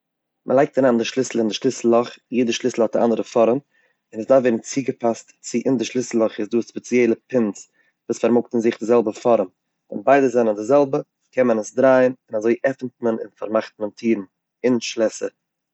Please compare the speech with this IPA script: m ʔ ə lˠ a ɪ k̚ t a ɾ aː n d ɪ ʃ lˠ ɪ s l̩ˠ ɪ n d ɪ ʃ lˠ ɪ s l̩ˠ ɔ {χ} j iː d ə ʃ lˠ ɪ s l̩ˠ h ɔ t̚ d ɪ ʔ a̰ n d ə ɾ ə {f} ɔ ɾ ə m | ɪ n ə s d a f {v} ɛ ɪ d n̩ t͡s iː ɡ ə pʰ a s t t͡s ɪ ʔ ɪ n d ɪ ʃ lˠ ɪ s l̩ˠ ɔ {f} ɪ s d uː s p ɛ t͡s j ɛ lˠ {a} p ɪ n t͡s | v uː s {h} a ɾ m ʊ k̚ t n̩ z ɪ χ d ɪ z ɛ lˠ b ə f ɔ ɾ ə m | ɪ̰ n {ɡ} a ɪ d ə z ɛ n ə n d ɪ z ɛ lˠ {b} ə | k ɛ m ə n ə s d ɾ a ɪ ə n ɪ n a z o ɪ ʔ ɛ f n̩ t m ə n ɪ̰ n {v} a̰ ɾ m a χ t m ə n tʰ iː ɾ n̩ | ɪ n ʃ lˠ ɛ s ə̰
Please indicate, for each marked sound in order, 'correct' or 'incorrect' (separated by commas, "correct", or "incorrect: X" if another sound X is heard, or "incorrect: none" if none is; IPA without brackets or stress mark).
correct, correct, correct, incorrect: χ, incorrect: ə, incorrect: f, incorrect: b, correct, incorrect: f